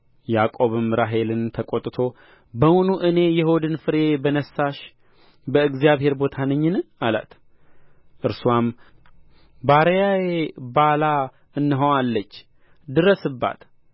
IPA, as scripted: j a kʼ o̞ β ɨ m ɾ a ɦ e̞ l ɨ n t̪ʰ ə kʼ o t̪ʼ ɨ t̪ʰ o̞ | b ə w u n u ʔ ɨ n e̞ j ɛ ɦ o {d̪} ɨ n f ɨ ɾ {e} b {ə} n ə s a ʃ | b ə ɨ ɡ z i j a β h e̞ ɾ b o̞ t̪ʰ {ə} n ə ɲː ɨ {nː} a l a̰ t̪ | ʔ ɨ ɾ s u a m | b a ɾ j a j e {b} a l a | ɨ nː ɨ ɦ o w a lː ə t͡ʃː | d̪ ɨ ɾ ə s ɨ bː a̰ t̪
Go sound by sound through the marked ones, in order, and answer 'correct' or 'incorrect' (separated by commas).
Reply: correct, correct, correct, incorrect, incorrect, correct